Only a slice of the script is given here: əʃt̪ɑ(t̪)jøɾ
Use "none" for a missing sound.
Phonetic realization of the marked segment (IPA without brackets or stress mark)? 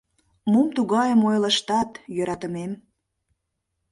t̪